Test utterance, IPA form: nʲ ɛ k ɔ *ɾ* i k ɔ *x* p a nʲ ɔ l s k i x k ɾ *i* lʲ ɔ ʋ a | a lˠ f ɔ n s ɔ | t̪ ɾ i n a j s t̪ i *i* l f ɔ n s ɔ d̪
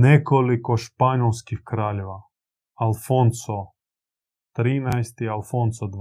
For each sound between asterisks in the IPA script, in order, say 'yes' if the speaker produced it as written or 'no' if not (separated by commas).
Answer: no, no, no, no